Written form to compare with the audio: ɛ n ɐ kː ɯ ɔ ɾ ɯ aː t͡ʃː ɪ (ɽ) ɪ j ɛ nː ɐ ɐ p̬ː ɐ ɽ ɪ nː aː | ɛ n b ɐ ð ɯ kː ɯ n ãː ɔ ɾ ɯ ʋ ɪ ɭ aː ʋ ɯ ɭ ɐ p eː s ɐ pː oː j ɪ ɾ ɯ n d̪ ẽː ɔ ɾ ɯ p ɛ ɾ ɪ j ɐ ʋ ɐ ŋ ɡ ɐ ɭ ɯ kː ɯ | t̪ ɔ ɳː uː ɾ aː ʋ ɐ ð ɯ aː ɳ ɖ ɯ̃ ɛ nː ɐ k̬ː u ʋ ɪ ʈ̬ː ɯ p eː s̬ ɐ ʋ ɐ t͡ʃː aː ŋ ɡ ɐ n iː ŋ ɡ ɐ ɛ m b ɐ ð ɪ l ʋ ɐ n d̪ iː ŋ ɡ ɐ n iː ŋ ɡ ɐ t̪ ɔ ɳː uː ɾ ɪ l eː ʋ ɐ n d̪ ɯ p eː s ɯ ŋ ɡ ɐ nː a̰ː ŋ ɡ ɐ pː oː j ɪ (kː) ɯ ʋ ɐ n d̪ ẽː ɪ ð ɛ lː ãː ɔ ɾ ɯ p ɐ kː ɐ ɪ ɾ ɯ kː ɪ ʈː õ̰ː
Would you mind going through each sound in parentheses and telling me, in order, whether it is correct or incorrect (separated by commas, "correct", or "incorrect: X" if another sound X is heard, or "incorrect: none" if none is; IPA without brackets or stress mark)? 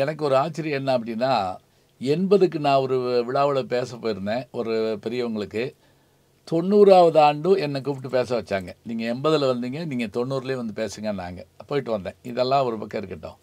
incorrect: ɾ, incorrect: ʈː